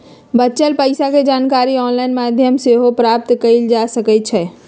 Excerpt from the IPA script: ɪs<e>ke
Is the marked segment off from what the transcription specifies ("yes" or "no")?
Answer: yes